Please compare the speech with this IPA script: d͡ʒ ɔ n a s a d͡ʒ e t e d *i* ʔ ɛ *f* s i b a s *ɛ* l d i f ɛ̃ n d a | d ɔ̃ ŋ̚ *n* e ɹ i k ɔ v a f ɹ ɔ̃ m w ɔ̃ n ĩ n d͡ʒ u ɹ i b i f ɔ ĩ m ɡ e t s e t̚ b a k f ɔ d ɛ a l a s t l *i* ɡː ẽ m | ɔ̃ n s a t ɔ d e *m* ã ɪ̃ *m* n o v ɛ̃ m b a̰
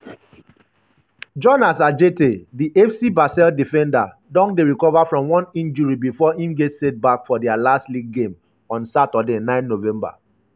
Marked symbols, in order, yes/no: yes, yes, yes, no, yes, no, no

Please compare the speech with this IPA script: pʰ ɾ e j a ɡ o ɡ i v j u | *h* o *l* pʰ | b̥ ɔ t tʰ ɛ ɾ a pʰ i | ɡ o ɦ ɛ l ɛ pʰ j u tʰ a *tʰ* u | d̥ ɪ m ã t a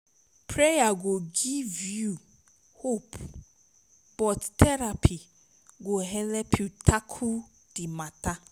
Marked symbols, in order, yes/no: yes, no, no

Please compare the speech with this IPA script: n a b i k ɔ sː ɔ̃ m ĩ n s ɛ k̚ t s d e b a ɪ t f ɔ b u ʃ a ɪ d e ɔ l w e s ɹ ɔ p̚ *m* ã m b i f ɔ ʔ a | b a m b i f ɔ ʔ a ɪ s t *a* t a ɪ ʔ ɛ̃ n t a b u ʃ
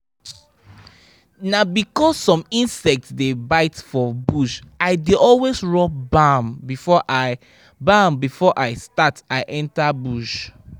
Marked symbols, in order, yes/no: no, yes

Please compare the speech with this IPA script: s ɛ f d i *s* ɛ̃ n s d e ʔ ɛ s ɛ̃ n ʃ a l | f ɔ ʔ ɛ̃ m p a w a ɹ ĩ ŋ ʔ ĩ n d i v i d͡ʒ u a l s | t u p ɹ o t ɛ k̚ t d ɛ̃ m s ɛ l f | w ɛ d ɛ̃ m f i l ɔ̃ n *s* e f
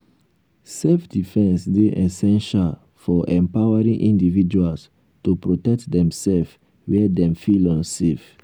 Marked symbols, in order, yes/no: no, yes

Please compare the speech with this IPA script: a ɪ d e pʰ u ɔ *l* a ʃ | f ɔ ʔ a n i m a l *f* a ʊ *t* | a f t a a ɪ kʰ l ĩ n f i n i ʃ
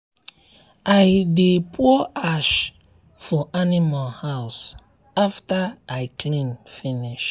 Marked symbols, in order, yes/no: no, no, no

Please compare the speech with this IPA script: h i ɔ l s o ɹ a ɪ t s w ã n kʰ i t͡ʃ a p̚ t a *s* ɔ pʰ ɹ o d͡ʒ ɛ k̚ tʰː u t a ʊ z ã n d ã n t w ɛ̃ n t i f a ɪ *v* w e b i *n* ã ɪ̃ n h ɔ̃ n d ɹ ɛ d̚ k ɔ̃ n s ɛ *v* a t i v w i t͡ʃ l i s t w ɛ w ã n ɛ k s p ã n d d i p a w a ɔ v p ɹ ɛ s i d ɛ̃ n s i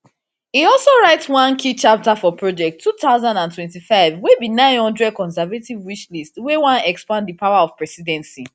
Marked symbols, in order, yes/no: no, yes, yes, yes

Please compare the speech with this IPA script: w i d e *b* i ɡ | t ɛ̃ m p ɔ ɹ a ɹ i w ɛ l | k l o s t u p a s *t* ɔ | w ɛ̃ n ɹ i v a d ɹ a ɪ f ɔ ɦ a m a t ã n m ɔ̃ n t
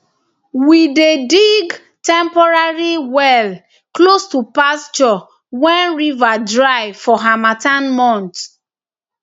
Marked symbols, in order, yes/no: no, no

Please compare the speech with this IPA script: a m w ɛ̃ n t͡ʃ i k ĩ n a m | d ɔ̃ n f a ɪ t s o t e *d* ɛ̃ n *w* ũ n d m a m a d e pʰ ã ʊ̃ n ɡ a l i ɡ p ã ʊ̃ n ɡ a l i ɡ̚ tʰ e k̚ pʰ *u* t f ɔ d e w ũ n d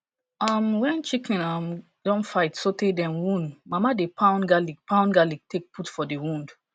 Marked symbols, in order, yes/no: yes, yes, yes

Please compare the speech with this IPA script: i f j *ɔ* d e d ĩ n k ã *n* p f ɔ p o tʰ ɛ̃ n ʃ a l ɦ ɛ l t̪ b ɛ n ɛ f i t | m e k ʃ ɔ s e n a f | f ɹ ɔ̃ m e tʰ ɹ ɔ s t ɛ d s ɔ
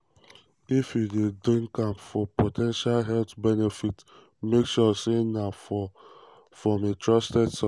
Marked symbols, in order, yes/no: no, no

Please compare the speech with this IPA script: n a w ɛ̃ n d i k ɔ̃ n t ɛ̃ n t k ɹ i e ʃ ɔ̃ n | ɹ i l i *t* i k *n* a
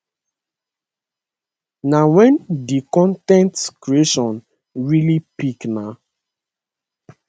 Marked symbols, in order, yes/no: no, yes

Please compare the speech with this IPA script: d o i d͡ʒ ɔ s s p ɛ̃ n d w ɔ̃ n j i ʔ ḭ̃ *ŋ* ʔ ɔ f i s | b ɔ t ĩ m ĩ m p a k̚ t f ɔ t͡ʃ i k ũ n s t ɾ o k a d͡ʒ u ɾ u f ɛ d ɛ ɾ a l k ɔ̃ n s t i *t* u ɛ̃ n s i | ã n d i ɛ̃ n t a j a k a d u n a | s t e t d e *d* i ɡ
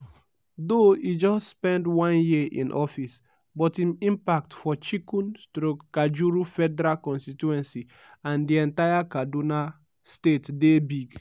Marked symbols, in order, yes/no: no, yes, no

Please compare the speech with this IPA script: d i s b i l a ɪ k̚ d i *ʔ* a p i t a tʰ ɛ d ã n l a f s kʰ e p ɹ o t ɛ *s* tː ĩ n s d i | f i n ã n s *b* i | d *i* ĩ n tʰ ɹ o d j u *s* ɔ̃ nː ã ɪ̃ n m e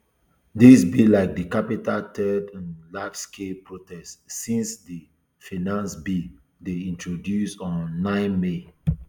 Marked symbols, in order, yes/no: no, yes, yes, no, yes

